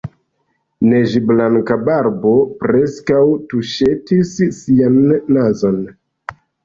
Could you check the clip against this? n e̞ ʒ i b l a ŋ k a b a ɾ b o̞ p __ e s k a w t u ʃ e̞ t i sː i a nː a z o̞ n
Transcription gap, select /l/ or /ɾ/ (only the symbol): ɾ